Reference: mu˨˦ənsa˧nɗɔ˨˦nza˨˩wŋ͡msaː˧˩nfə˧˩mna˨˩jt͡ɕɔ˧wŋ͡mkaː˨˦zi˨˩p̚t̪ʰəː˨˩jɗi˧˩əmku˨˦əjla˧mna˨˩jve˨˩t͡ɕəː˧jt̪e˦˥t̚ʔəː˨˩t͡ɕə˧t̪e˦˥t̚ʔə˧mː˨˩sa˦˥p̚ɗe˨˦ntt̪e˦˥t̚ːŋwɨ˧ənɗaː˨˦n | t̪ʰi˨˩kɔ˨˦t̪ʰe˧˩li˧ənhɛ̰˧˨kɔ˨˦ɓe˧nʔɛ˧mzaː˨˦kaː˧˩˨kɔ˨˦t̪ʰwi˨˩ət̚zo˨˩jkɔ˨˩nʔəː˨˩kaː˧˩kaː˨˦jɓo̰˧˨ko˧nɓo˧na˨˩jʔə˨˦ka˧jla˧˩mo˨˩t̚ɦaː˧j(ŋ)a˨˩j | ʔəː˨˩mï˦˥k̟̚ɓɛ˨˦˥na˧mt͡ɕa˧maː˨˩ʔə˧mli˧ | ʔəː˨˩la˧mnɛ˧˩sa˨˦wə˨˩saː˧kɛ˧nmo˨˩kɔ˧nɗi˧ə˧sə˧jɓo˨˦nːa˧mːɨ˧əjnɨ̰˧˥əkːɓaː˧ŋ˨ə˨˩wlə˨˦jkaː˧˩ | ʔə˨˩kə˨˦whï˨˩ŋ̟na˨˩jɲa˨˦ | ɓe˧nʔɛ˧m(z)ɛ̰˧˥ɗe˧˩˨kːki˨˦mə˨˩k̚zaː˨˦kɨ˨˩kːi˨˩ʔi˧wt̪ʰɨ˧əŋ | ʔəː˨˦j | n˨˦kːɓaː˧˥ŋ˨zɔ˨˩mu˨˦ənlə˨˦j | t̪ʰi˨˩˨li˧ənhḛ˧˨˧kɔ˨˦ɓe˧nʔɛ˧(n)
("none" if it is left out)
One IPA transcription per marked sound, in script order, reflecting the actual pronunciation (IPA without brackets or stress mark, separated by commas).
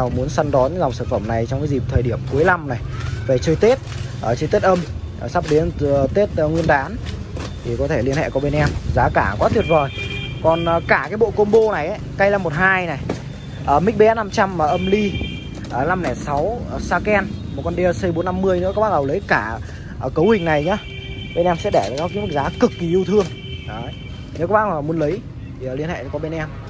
n, s, m